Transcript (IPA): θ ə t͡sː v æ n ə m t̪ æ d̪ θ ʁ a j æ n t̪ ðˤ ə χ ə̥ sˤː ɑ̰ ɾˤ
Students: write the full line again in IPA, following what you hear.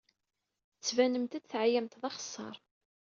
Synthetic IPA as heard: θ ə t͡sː v æ n ə m t̪ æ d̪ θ ʕ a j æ m t̪ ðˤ ɑ χ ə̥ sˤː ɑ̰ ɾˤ